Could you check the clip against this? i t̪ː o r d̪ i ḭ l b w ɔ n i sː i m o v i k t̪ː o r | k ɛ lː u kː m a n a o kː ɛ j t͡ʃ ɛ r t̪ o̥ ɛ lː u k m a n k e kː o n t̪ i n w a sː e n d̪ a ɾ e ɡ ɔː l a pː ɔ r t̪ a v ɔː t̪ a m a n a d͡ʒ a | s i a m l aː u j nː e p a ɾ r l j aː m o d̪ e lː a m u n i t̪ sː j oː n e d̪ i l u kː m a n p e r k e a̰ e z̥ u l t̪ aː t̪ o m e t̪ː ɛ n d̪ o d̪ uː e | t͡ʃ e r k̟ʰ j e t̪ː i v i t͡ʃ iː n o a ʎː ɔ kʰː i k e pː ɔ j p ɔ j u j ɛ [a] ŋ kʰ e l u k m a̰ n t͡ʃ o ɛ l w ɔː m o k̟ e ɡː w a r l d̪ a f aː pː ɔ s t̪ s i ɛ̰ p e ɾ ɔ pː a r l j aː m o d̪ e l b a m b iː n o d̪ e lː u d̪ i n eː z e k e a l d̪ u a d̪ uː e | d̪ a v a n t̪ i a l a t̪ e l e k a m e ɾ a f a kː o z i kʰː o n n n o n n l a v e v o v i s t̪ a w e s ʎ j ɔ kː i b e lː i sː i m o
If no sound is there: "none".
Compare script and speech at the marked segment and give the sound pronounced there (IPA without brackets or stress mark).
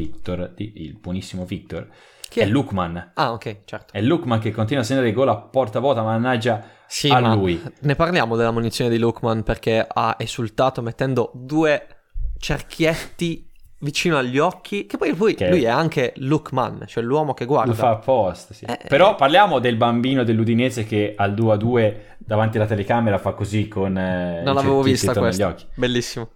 a